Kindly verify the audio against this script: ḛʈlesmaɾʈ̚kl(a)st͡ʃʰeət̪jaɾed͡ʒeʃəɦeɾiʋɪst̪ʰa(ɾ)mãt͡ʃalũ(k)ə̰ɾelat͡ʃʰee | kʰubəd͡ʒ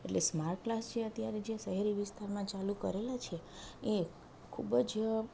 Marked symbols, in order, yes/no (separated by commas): yes, yes, yes